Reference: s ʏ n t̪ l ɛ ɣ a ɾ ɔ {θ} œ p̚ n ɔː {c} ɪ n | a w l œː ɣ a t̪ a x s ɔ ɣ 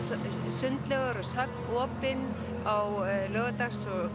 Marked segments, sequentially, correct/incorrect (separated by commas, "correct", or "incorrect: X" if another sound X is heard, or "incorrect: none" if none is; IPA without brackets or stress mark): incorrect: s, incorrect: p